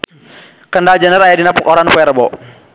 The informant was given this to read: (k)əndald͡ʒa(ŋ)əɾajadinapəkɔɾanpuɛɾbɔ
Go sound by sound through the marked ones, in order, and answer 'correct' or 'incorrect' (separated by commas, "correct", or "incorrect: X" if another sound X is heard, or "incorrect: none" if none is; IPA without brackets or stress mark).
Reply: correct, incorrect: n